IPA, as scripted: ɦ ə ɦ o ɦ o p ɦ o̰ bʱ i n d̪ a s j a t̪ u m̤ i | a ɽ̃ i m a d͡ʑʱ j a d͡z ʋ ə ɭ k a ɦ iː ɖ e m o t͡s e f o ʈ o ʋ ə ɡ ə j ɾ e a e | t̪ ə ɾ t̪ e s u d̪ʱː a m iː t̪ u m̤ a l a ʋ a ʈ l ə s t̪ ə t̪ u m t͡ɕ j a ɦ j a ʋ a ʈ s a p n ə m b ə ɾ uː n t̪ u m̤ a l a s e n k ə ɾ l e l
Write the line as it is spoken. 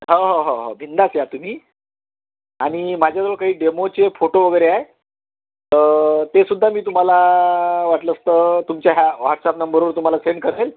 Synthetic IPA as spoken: ɦ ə ɦ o ɦ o ɦ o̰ bʱ i n d̪ a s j a t̪ u m̤ iː | a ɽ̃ i m a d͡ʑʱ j a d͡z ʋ ə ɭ k a ɦ iː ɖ e m o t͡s e f o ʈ o ʋ ə ɡ ə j ɾ e a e | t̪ ə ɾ t̪ e s u d̪ʱː a m iː t̪ u m̤ a l a ʋ a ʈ l ə s t̪ ə t̪ u m t͡ɕ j a ɦ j a ʋ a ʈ s a p n ə m b ə ɾ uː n t̪ u m̤ a l a s e n k ə ɾ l e l